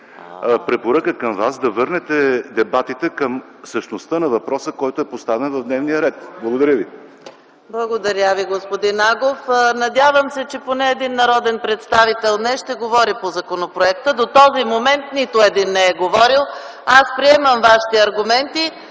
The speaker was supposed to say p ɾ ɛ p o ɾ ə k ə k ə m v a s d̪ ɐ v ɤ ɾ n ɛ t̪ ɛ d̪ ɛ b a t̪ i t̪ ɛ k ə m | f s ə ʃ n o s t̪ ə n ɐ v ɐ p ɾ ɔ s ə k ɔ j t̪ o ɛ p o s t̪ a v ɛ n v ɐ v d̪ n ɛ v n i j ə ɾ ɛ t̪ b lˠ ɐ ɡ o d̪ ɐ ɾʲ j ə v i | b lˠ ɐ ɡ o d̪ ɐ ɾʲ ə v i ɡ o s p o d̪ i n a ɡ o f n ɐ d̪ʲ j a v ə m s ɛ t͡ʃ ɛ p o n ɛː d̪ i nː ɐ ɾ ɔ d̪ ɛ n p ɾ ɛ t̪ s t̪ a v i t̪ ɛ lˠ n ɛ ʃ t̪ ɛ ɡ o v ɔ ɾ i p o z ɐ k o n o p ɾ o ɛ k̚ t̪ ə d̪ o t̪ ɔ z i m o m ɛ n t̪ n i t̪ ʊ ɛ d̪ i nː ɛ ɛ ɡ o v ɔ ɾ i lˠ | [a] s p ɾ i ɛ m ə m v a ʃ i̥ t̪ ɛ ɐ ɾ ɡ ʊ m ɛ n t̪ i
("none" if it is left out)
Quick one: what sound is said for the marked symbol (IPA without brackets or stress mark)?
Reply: a